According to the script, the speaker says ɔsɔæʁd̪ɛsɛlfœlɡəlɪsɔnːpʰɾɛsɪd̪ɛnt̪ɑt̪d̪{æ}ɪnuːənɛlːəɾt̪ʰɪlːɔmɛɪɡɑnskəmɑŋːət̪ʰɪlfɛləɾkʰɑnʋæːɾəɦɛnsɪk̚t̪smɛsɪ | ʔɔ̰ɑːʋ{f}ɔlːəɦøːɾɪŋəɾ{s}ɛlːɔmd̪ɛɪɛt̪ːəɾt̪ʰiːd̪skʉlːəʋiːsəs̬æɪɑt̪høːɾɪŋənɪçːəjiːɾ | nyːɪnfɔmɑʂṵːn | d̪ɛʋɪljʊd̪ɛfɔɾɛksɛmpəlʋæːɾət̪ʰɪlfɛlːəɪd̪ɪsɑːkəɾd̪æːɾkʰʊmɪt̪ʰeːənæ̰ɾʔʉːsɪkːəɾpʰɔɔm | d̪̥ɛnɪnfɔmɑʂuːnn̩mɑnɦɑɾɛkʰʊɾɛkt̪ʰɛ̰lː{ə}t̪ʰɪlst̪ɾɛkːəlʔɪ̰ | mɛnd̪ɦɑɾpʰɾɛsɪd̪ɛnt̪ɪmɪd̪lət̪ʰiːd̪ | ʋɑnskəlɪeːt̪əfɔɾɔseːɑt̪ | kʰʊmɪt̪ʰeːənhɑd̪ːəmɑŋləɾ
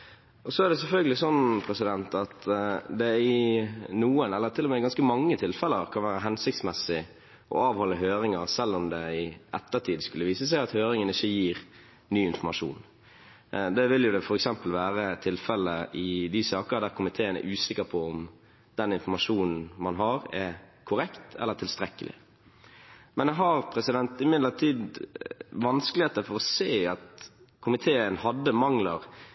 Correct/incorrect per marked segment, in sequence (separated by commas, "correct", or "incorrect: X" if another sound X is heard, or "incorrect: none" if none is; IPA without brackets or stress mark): incorrect: ɛ, incorrect: h, correct, correct